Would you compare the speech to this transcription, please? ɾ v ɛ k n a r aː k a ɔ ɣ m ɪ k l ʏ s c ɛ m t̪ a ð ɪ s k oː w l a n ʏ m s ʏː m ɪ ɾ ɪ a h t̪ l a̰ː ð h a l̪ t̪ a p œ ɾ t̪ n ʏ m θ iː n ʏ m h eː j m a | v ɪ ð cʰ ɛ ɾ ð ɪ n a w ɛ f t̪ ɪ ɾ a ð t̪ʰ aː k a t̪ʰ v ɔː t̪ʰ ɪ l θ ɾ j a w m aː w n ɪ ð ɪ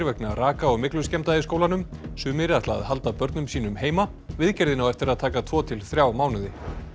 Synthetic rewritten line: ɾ v ɛ k n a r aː k a ɔ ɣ m ɪ k l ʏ s c ɛ m t̪ a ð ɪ s k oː w l a n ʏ m s ʏː m ɪ ɾ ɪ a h t̪ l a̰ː ð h a l̪ t̪ a p œ ɾ t̪ n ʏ m s iː n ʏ m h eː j m a | v ɪ ð c ɛ ɾ ð ɪ n a w ɛ f t̪ ɪ ɾ a ð t̪ʰ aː k a t̪ʰ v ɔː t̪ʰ ɪ l θ ɾ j a w m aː w n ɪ ð ɪ